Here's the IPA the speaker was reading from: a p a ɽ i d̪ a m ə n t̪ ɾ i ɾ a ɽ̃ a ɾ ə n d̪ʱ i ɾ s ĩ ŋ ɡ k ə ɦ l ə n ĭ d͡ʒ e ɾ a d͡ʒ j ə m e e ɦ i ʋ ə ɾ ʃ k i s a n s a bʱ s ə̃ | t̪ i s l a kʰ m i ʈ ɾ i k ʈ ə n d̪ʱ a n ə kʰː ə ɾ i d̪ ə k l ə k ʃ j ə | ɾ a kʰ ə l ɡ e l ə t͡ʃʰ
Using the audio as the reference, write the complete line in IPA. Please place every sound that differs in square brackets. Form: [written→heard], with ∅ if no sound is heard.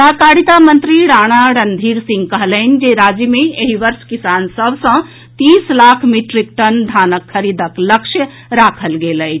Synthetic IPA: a [p→k] a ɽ i [d̪→t̪] a m ə n t̪ ɾ i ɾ a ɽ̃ a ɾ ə n d̪ʱ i ɾ s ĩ ŋ ɡ k ə ɦ l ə n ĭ d͡ʒ e ɾ a d͡ʒ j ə m e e ɦ i ʋ ə ɾ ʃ k i s a n s [a→ə] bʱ s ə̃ | t̪ i s l a kʰ m i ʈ ɾ i k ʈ ə n d̪ʱ a n ə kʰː ə ɾ i d̪ ə k l ə k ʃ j ə | ɾ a kʰ ə l ɡ e l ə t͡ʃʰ

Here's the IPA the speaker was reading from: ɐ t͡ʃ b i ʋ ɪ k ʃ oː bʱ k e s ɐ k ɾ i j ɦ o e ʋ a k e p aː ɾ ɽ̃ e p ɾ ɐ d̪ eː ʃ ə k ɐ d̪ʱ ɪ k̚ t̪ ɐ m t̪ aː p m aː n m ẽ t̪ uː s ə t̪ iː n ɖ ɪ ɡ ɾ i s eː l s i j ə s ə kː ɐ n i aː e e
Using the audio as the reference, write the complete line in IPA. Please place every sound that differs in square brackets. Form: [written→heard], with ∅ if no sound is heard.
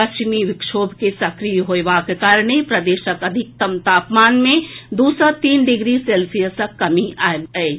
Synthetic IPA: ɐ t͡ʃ [b→m] i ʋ ɪ k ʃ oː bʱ k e s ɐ k ɾ i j ɦ o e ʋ a k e [p→k] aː ɾ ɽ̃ e p ɾ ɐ d̪ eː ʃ ə k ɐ d̪ʱ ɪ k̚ t̪ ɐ m t̪ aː p m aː n m ẽ [t̪→d̪] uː s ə t̪ iː n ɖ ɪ ɡ ɾ i s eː l s i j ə s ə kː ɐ [n→m] i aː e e

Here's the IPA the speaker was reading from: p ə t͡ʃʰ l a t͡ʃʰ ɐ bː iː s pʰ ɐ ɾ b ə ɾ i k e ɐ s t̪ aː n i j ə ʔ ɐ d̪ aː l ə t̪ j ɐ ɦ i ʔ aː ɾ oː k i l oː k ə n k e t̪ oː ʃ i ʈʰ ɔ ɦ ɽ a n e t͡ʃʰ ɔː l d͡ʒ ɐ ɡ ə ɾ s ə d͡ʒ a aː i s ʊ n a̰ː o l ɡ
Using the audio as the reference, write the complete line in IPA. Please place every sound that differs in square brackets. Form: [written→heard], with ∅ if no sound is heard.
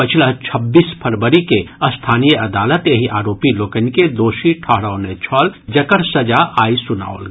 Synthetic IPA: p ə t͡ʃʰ l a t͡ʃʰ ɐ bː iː s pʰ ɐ ɾ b ə ɾ i k e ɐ s [t̪→t̪ʰ] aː n i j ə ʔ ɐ d̪ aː l ə t̪ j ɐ ɦ i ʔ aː ɾ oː [k→p] i l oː k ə n k e [t̪→d̪] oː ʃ i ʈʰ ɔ ɦ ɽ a n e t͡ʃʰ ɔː l d͡ʒ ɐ [ɡ→k] ə ɾ s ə d͡ʒ a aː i s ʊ n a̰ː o l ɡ

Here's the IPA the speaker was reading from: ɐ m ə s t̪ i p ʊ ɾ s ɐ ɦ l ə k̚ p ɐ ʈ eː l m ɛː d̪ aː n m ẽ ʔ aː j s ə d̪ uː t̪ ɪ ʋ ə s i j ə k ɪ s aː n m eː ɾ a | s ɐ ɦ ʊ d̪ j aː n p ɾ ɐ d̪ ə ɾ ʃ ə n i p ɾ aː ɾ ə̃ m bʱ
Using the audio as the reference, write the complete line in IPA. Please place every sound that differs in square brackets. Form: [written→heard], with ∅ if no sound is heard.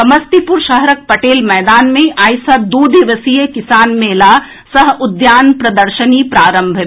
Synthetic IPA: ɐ m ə s t̪ i p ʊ ɾ [s→ʃ] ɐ ɦ [l→ɾ] ə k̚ p ɐ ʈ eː l m ɛː d̪ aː n m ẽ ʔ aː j s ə d̪ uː [t̪→d̪] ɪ ʋ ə s i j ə k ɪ s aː n m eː [ɾ→l] a | s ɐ ɦ ʊ d̪ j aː n p ɾ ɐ d̪ ə ɾ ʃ ə n i p ɾ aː ɾ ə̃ m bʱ

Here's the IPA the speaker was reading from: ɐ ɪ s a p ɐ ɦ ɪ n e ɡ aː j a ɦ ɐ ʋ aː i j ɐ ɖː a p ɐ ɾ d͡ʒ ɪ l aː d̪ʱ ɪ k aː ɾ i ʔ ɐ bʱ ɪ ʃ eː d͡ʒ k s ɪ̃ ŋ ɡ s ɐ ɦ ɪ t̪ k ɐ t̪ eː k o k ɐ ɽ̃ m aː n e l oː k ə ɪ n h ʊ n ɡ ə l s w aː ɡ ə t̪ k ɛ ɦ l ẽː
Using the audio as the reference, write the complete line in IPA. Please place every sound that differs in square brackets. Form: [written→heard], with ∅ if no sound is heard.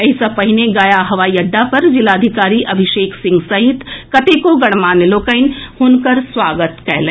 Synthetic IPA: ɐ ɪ s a p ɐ ɦ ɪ n e ɡ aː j a ɦ ɐ ʋ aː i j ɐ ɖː a p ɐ ɾ d͡ʒ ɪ l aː d̪ʱ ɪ k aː ɾ i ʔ ɐ bʱ ɪ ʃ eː [d͡ʒ→∅] k s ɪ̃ ŋ ɡ s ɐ ɦ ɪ t̪ k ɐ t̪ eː k o [k→ɡ] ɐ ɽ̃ m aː n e l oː k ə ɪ n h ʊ n [ɡ→k] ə [l→ɾ] s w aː ɡ ə t̪ k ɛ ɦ l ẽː

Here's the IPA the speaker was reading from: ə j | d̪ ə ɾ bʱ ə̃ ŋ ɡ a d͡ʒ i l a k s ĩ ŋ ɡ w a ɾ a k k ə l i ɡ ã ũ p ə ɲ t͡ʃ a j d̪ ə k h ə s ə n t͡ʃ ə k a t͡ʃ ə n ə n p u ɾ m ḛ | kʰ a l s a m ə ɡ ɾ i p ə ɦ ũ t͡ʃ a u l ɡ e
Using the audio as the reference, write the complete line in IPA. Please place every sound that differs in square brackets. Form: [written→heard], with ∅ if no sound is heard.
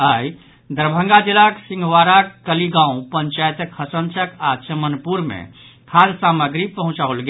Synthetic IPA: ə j | d̪ ə ɾ bʱ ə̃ ŋ ɡ a d͡ʒ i l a k s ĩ ŋ ɡ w a ɾ a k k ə l i ɡ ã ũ p ə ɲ t͡ʃ a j [d̪→t̪] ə k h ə s ə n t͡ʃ ə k a t͡ʃ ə [n→m] ə n p u ɾ m ḛ | kʰ a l s a m ə ɡ ɾ i p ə ɦ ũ t͡ʃ a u l ɡ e

